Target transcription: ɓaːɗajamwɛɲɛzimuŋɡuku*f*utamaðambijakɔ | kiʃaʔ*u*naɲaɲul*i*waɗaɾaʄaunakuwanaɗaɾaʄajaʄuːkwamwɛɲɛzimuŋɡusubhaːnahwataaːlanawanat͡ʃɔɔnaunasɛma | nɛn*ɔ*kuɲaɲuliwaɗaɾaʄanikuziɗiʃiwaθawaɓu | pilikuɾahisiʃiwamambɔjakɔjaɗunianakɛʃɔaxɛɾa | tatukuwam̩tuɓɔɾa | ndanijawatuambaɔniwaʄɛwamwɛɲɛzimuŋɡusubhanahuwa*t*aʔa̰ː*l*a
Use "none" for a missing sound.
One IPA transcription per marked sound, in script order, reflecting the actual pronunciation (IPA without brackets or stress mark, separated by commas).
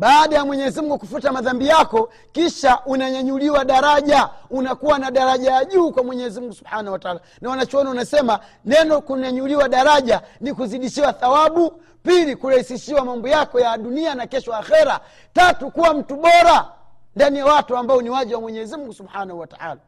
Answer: f, u, i, ɔ, t, l